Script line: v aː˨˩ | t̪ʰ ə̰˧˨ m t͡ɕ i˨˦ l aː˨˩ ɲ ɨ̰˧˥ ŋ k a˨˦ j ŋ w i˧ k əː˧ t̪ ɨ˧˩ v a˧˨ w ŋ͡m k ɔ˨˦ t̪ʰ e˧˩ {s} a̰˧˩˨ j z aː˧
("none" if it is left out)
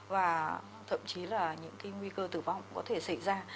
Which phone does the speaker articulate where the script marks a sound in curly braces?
s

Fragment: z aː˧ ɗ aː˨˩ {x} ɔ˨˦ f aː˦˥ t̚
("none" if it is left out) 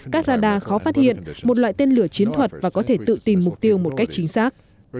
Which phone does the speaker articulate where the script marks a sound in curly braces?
x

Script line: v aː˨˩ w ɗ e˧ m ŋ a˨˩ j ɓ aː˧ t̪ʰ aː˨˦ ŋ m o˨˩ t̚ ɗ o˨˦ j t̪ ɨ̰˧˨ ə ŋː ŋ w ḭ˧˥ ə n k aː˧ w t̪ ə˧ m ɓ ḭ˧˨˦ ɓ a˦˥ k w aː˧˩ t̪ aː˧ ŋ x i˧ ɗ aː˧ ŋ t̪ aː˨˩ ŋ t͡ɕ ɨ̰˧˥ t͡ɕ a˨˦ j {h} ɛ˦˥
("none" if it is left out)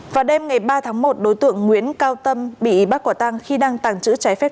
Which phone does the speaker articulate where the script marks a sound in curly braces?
f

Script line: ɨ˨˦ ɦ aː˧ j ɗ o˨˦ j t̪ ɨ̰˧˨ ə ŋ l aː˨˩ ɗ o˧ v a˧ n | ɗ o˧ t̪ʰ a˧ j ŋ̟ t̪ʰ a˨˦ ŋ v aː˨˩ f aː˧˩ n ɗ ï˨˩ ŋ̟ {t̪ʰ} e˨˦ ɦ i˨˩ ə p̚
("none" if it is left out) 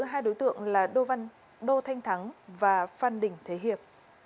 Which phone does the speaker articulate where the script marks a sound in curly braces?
t̪ʰ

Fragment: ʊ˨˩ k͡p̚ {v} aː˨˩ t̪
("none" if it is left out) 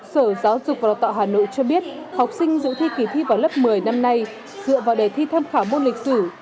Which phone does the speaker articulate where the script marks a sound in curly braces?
v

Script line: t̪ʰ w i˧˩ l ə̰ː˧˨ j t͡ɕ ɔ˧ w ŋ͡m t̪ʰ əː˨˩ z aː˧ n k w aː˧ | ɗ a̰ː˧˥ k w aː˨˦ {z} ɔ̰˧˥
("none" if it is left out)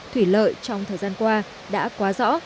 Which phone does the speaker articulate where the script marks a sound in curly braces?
z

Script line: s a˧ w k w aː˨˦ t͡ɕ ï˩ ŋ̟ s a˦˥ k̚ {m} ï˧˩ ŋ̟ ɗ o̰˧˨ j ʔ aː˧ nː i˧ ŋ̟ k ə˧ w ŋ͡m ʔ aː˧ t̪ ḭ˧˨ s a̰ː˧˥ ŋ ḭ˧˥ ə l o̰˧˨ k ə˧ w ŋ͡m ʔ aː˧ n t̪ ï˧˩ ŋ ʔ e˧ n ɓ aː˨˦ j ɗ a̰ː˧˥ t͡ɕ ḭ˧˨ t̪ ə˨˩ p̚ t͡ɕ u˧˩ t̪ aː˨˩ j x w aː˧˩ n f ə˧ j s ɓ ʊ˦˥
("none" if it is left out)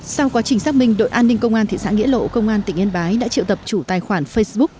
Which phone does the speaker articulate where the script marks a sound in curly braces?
m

